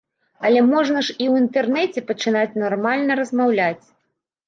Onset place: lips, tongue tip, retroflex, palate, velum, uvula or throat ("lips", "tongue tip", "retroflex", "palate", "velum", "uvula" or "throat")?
tongue tip